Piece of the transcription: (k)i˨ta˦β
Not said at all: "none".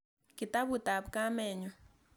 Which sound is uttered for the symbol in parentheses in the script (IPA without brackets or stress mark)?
k